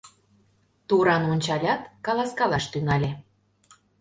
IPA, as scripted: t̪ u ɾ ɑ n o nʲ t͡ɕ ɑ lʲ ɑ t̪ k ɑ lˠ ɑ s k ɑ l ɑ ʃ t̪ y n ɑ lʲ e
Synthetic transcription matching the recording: t̪ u ɾ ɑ n o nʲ t͡ɕ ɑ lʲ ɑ t̪ k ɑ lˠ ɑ s k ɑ l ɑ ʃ t̪ y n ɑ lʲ e